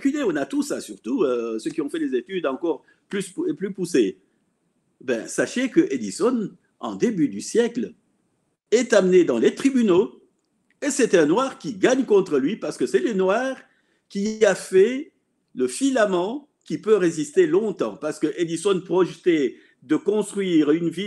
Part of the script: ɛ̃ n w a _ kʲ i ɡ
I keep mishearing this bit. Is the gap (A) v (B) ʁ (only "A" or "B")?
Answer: B